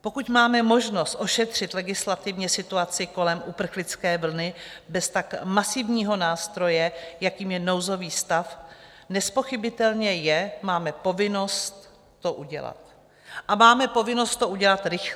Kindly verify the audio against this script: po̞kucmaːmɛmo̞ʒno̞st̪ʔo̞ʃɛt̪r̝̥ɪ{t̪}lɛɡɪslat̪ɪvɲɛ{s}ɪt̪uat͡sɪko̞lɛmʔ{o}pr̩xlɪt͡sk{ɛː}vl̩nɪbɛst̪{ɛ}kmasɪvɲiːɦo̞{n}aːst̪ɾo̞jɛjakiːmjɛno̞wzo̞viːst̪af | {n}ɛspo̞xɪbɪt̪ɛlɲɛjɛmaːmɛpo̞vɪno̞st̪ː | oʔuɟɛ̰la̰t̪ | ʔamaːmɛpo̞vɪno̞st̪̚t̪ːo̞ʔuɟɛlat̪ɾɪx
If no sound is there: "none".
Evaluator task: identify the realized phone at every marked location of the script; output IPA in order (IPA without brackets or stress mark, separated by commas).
t̪, s, u, ɛː, a, n, n